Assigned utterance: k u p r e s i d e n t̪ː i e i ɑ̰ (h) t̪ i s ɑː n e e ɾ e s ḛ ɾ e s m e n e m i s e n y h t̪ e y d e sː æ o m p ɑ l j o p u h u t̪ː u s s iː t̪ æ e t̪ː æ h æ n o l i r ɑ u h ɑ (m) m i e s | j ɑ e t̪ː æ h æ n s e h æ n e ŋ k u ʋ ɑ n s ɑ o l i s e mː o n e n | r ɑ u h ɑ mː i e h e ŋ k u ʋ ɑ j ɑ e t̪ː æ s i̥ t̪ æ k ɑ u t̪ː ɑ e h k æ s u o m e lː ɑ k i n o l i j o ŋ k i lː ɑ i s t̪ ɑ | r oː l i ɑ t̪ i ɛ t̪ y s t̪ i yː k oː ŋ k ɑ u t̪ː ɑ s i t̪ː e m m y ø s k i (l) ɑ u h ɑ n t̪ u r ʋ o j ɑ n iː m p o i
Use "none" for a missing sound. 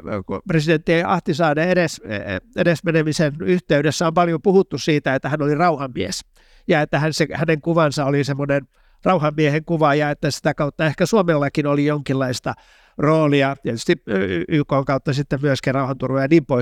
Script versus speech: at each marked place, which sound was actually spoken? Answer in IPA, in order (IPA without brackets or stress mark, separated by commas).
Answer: h, m, r